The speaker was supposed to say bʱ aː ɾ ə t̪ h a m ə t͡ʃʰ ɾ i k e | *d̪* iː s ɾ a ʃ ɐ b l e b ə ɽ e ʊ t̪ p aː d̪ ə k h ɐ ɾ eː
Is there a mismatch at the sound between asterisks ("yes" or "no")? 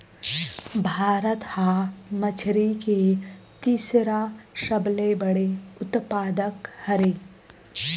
yes